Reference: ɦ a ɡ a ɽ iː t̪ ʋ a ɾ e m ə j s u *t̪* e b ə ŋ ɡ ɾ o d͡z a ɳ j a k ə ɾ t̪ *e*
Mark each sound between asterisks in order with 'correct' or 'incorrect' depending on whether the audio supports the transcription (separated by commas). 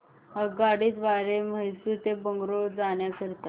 correct, incorrect